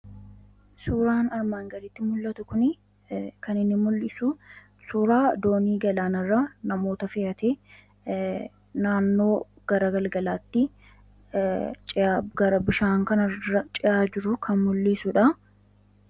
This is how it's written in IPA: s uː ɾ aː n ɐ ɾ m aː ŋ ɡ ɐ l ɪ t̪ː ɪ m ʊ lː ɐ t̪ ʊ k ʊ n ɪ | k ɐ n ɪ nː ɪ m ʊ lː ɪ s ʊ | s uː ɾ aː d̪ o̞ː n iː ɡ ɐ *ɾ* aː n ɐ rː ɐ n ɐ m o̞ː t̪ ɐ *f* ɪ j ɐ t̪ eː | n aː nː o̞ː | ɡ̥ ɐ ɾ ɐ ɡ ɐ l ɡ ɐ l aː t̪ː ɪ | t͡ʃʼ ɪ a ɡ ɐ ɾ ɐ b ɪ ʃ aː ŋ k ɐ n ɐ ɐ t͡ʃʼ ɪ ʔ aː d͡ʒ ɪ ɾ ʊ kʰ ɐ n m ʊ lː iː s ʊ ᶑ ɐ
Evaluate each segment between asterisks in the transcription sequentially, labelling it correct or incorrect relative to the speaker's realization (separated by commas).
incorrect, correct